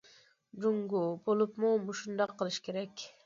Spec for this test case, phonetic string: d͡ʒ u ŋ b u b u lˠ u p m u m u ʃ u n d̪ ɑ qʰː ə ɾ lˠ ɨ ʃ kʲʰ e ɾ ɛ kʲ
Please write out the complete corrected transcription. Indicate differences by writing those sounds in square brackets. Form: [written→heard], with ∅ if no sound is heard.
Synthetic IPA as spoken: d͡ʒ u ŋ [b→ɡ] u b [u→o] lˠ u p m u m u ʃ u n d̪ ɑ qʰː ə [ɾ→∅] lˠ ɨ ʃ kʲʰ e ɾ ɛ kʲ